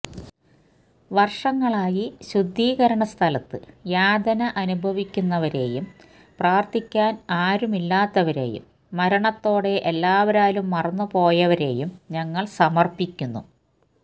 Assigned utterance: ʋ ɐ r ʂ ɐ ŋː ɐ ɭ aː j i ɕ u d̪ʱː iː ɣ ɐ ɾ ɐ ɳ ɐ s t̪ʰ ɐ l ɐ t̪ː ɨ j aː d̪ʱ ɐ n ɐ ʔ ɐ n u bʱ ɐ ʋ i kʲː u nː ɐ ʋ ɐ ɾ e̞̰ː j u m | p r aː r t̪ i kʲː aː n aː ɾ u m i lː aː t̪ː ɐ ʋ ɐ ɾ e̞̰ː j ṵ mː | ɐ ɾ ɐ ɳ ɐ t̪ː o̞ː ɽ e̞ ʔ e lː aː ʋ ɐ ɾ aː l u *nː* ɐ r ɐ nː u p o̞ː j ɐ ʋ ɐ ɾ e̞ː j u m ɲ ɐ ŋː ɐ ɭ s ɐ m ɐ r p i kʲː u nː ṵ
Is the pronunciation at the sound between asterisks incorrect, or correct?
incorrect